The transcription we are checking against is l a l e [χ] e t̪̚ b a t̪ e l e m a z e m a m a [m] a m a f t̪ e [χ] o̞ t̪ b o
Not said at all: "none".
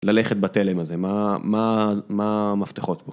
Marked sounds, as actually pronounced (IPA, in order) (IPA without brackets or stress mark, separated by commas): χ, m, χ